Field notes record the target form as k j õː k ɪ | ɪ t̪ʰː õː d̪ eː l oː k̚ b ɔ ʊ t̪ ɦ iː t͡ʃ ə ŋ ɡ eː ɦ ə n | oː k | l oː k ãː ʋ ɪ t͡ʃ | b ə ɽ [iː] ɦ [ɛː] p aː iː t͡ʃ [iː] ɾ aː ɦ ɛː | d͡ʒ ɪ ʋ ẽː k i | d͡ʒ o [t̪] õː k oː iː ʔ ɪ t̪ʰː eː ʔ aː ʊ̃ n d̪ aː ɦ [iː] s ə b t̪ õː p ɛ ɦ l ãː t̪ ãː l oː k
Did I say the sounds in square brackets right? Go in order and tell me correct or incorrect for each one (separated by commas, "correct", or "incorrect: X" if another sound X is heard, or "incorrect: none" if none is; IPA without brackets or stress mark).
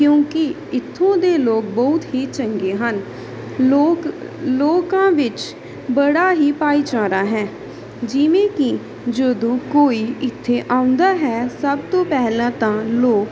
incorrect: aː, incorrect: iː, incorrect: aː, incorrect: d̪, incorrect: ɛː